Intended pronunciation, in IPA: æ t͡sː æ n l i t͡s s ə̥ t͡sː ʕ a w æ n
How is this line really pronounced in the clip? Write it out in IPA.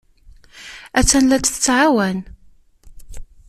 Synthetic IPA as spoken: æ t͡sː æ n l æ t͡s θ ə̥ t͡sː ʕ a w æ n